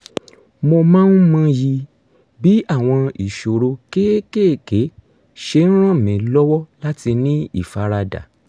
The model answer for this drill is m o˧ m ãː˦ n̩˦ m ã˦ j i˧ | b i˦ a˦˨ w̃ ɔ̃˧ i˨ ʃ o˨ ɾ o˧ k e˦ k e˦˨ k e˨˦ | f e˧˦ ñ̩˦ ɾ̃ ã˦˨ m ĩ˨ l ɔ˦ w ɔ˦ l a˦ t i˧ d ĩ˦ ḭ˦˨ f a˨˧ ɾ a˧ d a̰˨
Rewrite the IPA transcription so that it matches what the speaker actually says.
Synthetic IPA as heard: m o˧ m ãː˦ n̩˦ m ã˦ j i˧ | b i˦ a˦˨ w̃ ɔ̃˧ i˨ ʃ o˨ ɾ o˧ k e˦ k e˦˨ k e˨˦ | ʃ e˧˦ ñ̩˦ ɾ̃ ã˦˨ m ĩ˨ l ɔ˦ w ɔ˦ l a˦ t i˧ n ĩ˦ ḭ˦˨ f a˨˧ ɾ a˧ d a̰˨